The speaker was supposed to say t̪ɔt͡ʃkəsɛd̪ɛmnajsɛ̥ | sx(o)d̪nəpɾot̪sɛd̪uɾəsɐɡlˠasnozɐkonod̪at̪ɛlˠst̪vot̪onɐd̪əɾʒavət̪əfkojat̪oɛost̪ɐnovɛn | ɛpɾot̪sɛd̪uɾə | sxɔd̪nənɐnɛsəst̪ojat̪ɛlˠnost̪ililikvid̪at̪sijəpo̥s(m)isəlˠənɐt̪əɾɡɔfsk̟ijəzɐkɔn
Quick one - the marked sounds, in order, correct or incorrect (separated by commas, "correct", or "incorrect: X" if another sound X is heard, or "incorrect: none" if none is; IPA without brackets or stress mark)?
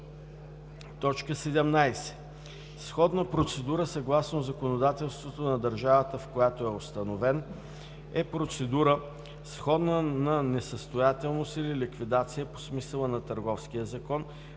incorrect: ɔ, correct